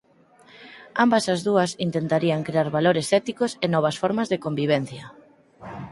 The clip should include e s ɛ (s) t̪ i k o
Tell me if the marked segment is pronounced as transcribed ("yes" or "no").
no